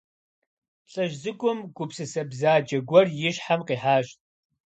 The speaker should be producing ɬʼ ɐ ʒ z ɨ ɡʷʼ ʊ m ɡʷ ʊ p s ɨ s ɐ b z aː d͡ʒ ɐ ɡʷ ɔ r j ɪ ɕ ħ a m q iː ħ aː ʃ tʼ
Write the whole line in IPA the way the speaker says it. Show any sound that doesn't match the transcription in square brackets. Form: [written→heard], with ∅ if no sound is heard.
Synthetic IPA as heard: ɬʼ ɐ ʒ z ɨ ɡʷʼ ʊ m ɡʷ ʊ p s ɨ s ɐ b z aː d͡ʒ ɐ ɡʷ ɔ r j ɪ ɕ ħ a m q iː ħ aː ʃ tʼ